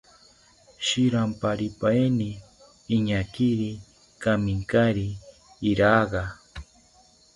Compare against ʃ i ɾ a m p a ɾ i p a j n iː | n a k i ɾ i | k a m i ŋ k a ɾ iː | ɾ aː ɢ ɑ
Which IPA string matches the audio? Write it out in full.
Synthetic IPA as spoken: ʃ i ɾ a m p a ɾ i p a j n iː | ɲ a k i ɾ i | k a m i ŋ k a ɾ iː | ɾ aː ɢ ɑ